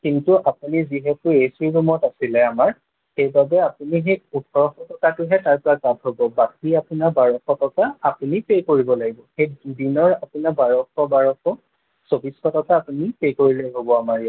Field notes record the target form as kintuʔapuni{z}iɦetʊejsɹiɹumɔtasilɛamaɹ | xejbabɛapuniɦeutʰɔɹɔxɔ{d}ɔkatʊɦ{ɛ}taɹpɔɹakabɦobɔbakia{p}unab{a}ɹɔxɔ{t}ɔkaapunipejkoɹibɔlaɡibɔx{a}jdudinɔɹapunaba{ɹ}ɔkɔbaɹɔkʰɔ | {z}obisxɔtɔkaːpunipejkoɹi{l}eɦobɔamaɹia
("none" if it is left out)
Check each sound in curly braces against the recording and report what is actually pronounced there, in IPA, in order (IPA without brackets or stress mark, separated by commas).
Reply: z, t, ɛ, p, a, t, e, ɹ, s, l